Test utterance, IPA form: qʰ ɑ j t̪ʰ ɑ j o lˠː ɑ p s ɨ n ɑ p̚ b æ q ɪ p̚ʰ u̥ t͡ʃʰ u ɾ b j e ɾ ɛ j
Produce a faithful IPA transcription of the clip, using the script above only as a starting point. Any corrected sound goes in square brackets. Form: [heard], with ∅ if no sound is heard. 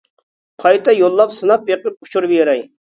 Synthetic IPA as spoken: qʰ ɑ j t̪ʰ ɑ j o lˠː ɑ p s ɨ n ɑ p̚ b [e] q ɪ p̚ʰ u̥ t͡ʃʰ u ɾ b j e ɾ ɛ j